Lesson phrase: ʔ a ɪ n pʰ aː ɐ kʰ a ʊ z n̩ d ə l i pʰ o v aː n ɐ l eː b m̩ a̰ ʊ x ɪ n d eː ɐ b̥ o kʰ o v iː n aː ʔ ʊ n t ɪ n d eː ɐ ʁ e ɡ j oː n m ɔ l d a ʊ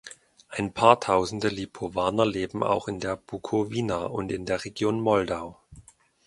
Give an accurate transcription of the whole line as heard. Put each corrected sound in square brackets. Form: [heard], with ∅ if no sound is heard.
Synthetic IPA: ʔ a ɪ n pʰ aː ɐ [tʰ] a ʊ z n̩ d ə l i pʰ o v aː n ɐ l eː b m̩ a̰ ʊ x ɪ n d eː ɐ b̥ [u] kʰ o v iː n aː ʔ ʊ n t ɪ n d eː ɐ ʁ e ɡ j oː n m ɔ l d a ʊ